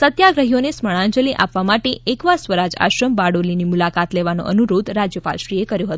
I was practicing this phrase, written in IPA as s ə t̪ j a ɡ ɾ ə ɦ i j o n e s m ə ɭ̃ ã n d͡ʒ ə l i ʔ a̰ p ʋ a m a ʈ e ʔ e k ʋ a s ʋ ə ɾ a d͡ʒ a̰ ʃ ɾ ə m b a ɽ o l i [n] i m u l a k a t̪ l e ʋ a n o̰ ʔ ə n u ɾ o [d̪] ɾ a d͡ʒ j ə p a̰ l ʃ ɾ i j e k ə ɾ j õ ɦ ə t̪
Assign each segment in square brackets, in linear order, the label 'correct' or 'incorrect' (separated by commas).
correct, correct